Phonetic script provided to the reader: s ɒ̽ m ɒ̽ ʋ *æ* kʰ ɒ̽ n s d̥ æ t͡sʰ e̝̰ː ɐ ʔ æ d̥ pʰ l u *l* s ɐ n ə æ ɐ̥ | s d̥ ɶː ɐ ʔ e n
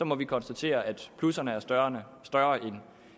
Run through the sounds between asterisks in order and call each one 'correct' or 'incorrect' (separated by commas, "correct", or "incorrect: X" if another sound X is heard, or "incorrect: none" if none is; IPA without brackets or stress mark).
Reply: incorrect: i, incorrect: none